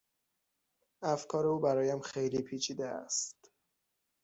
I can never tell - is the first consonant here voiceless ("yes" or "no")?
yes